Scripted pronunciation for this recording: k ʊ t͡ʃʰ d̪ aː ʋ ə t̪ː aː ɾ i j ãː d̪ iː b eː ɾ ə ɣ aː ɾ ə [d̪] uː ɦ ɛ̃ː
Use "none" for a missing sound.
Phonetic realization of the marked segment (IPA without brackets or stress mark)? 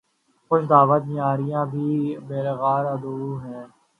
d̪